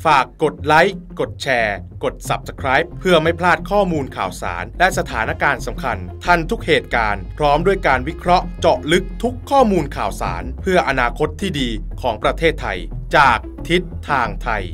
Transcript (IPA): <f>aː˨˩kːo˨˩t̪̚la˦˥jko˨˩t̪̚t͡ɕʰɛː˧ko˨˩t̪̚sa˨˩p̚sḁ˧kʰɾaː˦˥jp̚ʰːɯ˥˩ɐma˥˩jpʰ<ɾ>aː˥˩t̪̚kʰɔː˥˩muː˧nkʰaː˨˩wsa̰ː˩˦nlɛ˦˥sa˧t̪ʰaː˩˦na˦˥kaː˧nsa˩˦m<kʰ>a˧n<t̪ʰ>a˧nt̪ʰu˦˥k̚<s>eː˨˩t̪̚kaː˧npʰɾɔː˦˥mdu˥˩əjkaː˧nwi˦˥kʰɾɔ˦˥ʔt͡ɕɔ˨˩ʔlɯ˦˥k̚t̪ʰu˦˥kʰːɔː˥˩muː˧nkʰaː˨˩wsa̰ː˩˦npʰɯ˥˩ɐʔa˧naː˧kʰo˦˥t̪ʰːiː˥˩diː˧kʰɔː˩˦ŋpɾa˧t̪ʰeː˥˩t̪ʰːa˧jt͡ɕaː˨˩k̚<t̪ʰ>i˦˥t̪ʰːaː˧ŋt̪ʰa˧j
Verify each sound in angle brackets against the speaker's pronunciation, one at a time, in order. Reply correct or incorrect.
correct, incorrect: l, correct, correct, incorrect: h, correct

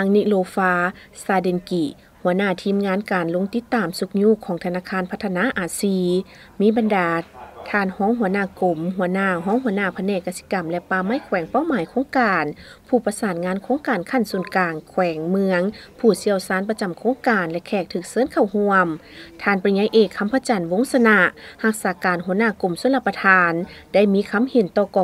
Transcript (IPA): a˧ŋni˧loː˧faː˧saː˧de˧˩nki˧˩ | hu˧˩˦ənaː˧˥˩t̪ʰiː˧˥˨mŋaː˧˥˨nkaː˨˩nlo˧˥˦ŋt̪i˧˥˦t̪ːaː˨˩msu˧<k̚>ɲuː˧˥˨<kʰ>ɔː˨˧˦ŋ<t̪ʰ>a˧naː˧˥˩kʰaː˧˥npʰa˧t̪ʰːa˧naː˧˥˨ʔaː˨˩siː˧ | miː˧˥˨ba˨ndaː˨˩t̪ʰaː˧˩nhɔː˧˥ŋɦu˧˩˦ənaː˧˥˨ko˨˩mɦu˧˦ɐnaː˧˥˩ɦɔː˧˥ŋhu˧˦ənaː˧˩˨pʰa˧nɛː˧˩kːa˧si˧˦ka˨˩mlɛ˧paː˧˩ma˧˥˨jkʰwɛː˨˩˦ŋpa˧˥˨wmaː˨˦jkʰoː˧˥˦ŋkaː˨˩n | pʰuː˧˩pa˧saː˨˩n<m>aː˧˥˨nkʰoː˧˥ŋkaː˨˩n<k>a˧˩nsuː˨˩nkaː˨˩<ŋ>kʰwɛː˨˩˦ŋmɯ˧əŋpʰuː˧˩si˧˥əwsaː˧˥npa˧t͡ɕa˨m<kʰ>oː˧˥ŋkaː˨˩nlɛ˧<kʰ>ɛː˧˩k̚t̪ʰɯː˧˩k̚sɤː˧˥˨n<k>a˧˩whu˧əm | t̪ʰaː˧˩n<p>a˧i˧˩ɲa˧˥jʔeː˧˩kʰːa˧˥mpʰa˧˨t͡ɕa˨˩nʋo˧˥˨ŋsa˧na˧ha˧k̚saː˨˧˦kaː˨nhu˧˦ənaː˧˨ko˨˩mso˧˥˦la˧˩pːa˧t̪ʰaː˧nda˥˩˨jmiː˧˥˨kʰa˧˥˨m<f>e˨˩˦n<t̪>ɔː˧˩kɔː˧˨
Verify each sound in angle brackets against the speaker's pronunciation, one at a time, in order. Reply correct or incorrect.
correct, correct, correct, incorrect: ŋ, incorrect: kʰ, correct, correct, correct, incorrect: kʰ, correct, incorrect: h, correct

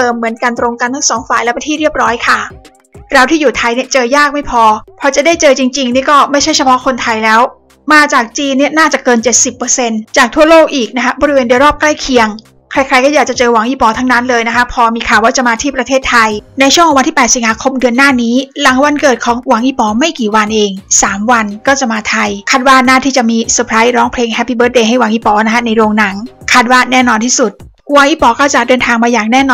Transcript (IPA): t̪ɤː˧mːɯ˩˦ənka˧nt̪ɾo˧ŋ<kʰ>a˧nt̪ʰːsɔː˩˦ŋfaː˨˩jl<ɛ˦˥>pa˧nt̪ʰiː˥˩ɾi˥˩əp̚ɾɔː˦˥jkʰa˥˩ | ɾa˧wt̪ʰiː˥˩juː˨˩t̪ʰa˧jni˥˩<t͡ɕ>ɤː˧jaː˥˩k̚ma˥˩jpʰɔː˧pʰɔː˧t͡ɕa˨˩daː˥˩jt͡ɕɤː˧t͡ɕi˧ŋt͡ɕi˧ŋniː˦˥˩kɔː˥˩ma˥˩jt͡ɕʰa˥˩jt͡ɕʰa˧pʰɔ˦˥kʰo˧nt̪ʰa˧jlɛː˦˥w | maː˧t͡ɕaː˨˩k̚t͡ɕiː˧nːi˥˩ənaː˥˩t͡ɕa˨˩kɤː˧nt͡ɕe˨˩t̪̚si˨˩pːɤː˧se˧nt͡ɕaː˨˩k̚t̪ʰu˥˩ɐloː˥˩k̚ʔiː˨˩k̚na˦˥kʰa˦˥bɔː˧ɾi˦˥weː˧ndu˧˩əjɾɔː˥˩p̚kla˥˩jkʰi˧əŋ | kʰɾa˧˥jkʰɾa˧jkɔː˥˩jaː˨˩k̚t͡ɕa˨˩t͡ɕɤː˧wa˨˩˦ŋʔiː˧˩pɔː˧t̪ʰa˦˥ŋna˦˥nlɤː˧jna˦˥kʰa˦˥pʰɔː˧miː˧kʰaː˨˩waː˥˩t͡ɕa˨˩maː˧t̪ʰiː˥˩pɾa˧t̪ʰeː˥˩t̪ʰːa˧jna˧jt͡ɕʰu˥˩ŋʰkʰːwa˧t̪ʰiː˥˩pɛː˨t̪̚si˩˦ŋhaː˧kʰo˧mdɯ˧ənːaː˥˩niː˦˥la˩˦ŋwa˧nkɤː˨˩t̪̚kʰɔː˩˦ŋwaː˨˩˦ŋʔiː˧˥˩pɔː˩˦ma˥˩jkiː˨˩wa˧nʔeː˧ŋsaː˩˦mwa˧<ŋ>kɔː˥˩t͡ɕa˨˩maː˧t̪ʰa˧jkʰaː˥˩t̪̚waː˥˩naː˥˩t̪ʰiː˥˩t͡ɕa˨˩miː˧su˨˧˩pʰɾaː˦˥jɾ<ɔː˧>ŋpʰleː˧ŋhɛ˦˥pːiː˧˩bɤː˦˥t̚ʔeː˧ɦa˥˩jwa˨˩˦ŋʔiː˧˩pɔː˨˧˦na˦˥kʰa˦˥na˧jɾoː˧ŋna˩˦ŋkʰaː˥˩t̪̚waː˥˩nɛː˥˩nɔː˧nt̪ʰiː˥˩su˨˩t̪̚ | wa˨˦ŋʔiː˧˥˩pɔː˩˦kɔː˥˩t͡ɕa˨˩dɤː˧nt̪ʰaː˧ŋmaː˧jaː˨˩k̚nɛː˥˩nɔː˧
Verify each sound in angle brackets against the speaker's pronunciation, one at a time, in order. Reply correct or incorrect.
incorrect: k, correct, correct, incorrect: n, incorrect: ɔː˦˥

